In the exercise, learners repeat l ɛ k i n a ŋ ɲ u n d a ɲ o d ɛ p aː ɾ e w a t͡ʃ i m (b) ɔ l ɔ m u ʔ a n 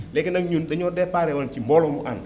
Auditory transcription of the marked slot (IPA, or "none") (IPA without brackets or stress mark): b